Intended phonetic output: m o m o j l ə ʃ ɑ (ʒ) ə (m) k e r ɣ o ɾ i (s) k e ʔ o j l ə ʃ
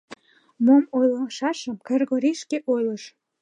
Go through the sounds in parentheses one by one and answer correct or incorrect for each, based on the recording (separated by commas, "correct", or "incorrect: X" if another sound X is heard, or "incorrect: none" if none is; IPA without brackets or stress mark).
incorrect: ʃ, correct, incorrect: ʃ